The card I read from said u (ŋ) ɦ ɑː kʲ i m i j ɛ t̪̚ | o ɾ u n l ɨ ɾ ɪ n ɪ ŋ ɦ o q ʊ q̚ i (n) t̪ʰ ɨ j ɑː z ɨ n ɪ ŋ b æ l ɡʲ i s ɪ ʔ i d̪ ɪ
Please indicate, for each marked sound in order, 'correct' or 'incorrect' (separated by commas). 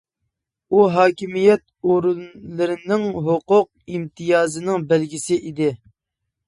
incorrect, incorrect